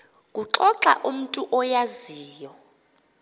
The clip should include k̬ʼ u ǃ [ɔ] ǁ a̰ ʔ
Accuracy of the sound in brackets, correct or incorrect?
correct